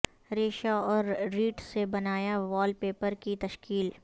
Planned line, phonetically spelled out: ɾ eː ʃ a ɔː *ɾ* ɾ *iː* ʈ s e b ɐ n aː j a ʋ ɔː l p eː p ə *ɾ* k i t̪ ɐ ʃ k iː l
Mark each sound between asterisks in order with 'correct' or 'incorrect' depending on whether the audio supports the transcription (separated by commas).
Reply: correct, correct, correct